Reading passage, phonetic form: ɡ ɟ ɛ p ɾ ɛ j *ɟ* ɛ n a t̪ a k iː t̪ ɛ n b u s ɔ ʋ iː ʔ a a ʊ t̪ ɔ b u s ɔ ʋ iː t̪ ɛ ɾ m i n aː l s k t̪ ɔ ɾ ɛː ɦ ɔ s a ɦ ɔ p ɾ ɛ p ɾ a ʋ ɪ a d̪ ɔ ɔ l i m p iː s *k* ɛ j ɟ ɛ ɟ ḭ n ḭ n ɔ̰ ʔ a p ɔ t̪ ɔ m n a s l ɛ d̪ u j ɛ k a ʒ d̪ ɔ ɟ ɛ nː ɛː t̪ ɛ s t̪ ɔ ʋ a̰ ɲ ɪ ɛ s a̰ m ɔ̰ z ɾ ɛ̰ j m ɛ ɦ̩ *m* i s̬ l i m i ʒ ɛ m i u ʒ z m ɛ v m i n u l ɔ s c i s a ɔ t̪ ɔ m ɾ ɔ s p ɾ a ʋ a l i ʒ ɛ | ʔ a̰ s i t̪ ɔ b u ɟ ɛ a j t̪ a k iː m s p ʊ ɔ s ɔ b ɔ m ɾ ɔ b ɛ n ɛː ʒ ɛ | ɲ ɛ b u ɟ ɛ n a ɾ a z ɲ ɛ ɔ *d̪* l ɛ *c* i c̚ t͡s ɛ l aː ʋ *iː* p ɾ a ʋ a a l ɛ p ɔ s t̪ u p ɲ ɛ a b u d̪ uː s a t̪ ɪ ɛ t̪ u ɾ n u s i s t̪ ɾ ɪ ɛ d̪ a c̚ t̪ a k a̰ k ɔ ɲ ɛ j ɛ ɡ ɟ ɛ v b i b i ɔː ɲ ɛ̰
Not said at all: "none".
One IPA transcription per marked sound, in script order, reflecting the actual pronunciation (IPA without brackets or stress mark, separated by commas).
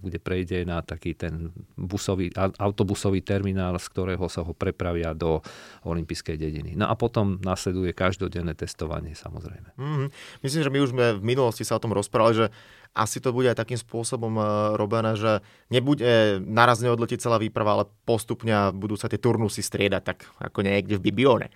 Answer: ɟ, k, m, d̪, c, iː